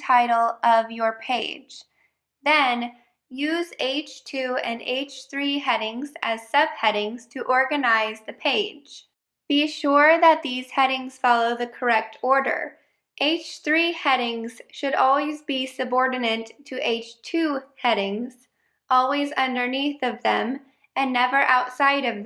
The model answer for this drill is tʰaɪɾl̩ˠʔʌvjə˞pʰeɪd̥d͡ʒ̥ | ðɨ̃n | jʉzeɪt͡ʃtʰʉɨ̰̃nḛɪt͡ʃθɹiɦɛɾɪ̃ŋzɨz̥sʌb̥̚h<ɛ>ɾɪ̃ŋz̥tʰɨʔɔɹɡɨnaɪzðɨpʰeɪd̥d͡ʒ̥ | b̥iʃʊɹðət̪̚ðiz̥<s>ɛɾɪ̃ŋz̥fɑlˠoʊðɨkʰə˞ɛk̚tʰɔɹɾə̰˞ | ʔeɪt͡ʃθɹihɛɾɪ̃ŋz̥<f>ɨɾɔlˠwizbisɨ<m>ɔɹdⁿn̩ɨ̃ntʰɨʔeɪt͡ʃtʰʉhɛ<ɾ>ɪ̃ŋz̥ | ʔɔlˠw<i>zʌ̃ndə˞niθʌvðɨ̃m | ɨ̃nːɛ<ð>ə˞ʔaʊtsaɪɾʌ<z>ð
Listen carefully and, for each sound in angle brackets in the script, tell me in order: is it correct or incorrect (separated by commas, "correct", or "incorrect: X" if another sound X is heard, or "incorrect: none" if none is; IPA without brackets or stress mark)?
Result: correct, incorrect: h, incorrect: ʃ, incorrect: b, correct, correct, incorrect: v, incorrect: v